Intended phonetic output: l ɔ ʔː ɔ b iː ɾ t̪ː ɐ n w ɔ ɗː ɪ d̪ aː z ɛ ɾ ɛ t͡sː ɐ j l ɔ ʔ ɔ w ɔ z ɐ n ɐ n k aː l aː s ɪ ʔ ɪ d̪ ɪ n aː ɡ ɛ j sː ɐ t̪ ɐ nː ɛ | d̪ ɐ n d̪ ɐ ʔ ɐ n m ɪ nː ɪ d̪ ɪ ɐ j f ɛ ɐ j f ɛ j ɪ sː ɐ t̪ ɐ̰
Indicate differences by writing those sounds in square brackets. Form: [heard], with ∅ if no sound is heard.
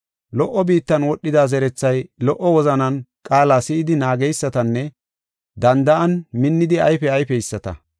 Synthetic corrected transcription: l ɔ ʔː ɔ b iː [∅] t̪ː ɐ n w ɔ ɗː ɪ d̪ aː z ɛ ɾ ɛ t͡sː ɐ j l ɔ ʔ ɔ w ɔ z ɐ n ɐ n [kʼ] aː l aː s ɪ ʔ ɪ d̪ ɪ n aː ɡ ɛ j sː ɐ t̪ ɐ nː ɛ | d̪ ɐ n d̪ ɐ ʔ ɐ n m ɪ nː ɪ d̪ ɪ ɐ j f ɛ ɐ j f ɛ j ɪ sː ɐ t̪ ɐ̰